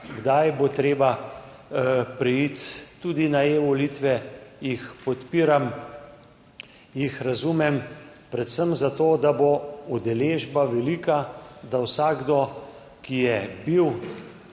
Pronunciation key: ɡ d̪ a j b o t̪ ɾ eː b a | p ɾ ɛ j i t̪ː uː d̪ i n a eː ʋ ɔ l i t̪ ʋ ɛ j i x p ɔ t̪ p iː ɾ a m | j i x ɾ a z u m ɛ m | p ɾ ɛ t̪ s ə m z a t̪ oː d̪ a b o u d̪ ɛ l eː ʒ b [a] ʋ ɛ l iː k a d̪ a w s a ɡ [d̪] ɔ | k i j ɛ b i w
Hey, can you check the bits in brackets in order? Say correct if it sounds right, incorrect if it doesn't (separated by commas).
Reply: correct, correct